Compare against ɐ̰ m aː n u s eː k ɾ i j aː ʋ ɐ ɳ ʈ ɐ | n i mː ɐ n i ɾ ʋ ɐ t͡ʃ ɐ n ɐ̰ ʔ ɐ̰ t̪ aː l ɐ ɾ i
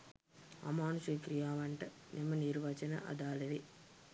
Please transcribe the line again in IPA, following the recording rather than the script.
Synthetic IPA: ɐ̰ m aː n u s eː k ɾ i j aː ʋ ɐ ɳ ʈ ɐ | n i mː ɐ n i ɾ ʋ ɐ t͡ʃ ɐ n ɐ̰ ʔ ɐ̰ d̪ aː l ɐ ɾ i